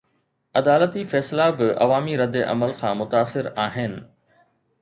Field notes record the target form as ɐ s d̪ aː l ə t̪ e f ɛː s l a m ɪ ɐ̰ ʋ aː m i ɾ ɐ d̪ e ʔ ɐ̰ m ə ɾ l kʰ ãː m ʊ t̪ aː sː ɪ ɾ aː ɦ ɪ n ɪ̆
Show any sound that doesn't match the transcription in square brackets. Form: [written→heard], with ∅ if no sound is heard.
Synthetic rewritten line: ɐ [s→∅] d̪ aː l ə t̪ [e→i] f ɛː s l a [m→b] ɪ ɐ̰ ʋ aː m i ɾ ɐ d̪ e ʔ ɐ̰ m ə [ɾ→∅] l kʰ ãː m ʊ t̪ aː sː ɪ ɾ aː ɦ ɪ n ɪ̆